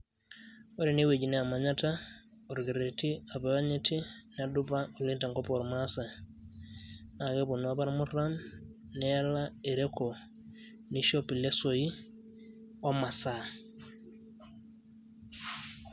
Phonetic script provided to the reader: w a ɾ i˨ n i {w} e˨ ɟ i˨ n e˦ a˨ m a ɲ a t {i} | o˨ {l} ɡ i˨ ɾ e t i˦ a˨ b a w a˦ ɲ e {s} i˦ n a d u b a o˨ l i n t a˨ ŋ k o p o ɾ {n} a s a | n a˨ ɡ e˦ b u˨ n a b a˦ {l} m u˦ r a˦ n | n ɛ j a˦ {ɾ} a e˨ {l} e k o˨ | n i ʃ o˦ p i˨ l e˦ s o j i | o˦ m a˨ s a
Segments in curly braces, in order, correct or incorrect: correct, incorrect: a, incorrect: ɾ, incorrect: t, incorrect: m, incorrect: ɾ, incorrect: l, incorrect: ɾ

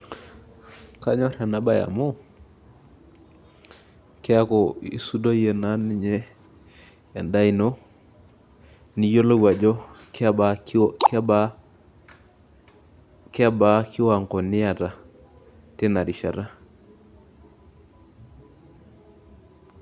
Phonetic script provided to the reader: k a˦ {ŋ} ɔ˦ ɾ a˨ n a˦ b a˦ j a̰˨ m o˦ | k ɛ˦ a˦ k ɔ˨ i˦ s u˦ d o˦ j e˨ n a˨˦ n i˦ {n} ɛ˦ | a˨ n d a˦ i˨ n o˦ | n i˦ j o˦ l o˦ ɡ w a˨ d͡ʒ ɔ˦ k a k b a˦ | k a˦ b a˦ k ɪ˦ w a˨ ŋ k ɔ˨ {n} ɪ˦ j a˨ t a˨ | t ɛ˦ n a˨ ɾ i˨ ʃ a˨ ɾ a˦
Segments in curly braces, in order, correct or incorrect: incorrect: ɲ, incorrect: ɲ, correct

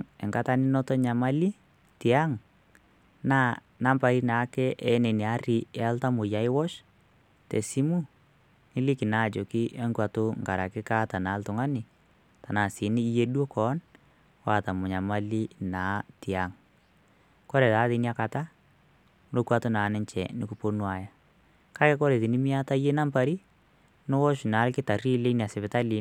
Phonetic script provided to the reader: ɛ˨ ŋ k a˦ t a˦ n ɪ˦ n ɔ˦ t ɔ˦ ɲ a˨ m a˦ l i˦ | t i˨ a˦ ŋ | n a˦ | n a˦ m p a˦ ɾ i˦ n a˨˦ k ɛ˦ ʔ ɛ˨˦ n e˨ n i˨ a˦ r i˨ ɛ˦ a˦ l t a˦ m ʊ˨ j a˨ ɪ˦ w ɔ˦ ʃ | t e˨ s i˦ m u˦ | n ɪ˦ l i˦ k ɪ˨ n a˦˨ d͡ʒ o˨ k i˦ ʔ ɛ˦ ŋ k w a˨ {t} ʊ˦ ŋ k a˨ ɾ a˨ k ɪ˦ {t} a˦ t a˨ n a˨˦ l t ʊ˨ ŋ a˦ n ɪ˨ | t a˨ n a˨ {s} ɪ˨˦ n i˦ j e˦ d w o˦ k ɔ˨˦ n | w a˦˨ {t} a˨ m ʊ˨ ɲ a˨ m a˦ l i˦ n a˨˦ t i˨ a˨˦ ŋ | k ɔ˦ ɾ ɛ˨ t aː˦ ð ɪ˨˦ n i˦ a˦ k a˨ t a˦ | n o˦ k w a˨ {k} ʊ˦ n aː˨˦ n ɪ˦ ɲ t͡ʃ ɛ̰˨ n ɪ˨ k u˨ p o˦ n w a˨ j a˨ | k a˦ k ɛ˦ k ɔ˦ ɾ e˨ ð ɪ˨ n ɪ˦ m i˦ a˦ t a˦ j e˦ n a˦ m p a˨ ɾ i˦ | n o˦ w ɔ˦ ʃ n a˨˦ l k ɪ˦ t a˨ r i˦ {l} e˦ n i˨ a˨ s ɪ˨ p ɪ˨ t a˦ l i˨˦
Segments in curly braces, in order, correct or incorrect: correct, incorrect: k, correct, correct, incorrect: t, correct

